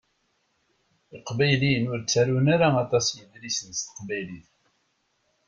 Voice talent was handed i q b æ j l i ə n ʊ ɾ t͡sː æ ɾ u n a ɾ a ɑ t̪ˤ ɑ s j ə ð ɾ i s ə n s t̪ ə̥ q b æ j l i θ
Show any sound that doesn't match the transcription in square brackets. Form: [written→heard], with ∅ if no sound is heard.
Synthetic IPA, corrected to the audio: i q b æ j l i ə n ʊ ɾ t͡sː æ ɾ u n a ɾ a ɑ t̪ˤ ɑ s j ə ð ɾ i s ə n s t̪ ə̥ q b æ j l i θ